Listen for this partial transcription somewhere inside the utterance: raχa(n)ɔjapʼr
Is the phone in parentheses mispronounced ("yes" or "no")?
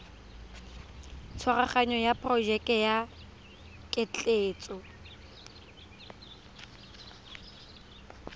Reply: yes